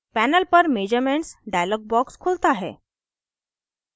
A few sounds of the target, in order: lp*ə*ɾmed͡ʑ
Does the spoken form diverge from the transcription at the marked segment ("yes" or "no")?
no